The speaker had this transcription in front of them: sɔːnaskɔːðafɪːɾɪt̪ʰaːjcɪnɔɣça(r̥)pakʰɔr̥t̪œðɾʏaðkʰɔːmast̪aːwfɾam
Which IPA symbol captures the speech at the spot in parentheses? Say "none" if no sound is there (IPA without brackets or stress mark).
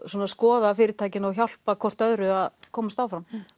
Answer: l̥